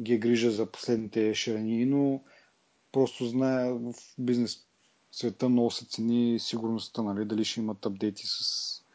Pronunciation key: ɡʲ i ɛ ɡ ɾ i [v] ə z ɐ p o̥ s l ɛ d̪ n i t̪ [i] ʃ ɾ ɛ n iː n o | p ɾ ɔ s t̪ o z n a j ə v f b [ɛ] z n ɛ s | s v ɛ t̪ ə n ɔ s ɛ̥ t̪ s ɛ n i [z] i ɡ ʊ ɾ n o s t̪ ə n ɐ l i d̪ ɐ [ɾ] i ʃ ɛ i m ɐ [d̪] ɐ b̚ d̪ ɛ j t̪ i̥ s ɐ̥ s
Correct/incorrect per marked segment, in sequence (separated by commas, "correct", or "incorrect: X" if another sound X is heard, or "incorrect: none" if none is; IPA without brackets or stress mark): incorrect: ʒ, incorrect: ɛ, incorrect: i, incorrect: s, incorrect: l, incorrect: t̪